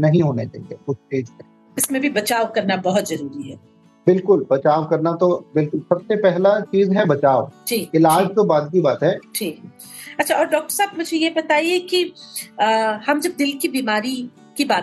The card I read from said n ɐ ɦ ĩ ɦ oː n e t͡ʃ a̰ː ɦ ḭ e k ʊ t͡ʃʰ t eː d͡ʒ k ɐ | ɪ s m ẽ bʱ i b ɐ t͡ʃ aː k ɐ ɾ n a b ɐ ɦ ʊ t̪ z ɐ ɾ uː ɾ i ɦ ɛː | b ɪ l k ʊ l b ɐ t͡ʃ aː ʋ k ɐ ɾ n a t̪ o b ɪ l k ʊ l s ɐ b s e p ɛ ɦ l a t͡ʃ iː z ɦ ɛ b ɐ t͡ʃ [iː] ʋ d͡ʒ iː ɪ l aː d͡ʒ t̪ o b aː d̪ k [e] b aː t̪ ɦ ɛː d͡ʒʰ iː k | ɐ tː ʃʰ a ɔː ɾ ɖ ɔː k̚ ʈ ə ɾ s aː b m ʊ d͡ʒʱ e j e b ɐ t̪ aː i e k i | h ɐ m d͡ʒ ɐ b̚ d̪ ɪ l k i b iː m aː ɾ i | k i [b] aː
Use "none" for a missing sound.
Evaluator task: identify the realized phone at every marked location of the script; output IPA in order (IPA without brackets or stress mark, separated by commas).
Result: aː, i, b